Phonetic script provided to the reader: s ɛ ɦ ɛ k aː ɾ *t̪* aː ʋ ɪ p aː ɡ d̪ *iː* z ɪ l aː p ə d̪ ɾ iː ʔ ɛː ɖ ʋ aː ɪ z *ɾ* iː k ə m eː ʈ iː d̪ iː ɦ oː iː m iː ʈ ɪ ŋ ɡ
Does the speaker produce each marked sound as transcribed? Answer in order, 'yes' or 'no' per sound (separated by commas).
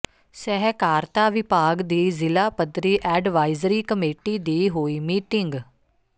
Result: yes, yes, yes